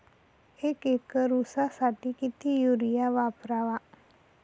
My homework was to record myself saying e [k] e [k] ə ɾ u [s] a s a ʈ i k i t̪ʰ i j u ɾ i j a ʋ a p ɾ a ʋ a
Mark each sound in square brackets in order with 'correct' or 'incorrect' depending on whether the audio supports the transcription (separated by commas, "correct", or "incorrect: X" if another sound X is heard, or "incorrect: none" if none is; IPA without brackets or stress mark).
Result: correct, correct, correct